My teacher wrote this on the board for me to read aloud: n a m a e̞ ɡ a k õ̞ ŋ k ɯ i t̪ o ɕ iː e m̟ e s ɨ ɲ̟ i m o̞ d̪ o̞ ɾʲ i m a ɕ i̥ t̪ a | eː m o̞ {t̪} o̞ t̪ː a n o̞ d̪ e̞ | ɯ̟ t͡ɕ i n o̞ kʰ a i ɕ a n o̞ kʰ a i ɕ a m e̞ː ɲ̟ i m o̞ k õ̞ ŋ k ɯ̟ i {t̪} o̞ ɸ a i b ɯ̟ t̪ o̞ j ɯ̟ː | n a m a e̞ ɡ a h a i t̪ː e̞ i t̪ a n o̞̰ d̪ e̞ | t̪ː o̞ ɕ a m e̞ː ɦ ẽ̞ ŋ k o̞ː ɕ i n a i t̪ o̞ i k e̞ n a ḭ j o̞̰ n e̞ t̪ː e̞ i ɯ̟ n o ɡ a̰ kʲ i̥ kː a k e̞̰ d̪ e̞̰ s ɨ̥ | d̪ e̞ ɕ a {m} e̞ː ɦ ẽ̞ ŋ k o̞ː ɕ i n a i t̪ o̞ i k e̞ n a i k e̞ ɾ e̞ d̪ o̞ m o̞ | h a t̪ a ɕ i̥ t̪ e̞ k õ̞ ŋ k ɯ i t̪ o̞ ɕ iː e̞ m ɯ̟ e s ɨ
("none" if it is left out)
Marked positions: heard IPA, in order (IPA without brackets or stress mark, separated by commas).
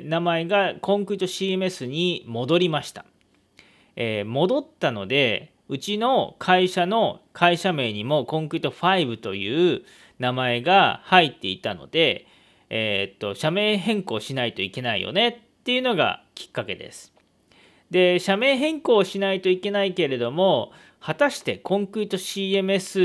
d̪, t̪, m